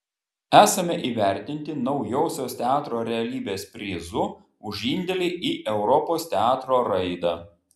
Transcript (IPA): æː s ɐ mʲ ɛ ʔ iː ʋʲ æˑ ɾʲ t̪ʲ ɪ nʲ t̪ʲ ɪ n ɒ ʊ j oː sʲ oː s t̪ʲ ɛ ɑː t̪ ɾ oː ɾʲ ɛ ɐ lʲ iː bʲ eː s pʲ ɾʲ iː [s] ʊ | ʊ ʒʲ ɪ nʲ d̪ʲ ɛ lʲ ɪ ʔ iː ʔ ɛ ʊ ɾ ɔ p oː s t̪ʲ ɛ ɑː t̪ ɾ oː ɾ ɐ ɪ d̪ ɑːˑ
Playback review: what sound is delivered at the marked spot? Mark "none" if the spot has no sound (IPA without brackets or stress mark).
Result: z